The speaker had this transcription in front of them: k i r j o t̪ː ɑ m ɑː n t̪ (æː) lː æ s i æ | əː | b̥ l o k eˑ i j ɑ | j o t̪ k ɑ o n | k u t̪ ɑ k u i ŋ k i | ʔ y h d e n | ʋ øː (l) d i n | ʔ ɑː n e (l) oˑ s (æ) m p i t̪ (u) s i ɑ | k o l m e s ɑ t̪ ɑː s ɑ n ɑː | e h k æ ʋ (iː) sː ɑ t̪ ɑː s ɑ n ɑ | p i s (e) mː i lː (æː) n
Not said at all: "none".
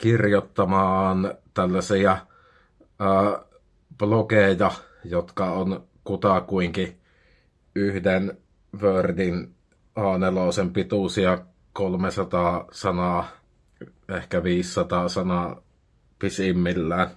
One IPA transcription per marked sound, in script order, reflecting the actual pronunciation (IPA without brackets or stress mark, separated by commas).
æ, r, l, e, u, iː, i, æː